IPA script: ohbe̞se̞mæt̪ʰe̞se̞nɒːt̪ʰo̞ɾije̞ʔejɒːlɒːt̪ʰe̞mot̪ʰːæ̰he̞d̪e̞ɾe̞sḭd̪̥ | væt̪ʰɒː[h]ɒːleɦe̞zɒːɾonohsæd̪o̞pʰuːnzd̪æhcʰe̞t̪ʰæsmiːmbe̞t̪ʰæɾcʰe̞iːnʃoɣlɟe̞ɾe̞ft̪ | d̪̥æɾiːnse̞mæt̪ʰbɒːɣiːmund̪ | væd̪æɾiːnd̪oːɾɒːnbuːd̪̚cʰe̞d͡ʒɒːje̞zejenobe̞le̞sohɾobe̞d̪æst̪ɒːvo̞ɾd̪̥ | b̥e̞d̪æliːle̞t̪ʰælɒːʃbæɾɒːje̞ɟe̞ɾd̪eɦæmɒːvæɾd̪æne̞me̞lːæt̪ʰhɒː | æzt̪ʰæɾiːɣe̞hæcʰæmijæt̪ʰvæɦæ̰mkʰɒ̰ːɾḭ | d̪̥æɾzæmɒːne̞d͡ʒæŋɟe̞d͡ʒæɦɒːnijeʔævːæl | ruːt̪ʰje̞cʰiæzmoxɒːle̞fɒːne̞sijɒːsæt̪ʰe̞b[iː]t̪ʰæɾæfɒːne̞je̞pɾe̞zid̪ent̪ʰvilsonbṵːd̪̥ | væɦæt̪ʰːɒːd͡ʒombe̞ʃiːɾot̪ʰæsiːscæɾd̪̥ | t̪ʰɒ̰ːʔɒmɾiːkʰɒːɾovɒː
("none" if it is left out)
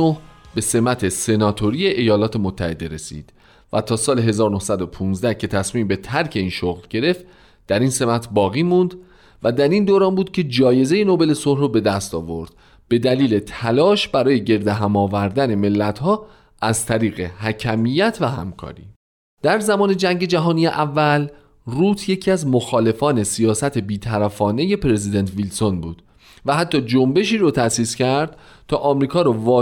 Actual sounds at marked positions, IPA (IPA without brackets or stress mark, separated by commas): s, iː